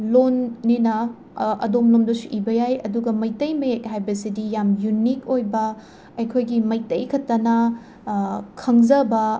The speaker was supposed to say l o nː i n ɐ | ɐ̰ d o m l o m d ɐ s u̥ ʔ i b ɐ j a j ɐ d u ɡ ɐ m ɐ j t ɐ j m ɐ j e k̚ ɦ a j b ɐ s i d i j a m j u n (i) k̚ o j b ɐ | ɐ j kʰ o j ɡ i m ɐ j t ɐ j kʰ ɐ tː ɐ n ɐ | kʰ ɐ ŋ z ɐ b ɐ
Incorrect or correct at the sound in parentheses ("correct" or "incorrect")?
correct